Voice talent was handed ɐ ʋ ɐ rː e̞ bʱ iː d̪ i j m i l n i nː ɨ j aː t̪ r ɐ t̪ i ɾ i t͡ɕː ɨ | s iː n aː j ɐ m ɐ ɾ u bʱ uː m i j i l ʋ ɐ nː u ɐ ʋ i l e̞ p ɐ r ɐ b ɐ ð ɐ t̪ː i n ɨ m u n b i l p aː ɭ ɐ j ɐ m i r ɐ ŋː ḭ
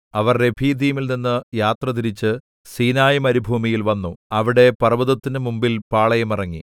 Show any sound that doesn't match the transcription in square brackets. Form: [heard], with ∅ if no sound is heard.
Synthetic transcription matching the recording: ɐ ʋ ɐ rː e̞ bʱ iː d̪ i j m i l n i nː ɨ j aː t̪ r ɐ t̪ i ɾ i t͡ɕː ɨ | s iː n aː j ɐ m ɐ ɾ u bʱ uː m i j i l ʋ ɐ nː u ɐ ʋ i [ɽ] e̞ p ɐ r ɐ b ɐ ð ɐ t̪ː i n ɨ m u [m] b i l p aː ɭ ɐ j ɐ m i r ɐ ŋː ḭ